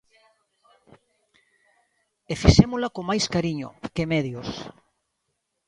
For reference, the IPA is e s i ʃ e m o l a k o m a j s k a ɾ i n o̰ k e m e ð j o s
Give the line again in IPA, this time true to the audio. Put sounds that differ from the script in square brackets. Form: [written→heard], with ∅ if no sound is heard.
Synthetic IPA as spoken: e [s→f] i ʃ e m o l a k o m a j s k a ɾ i [n→ɲ] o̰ k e m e ð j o s